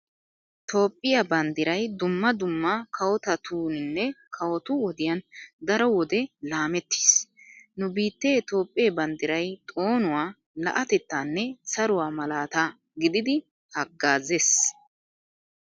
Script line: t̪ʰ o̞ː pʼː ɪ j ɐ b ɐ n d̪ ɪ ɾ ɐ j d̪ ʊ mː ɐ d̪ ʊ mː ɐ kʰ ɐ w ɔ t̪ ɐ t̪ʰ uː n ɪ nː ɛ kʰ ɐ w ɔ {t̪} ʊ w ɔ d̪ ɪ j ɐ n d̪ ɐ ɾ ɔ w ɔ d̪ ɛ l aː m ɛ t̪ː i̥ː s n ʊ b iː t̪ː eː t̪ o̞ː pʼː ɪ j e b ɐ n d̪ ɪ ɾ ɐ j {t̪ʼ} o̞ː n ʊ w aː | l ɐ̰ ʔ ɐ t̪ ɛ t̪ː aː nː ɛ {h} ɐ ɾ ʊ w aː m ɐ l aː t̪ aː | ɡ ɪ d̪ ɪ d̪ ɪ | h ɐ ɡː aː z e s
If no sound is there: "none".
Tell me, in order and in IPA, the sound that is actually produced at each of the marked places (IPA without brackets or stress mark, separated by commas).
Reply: t̪, t̪ʼ, s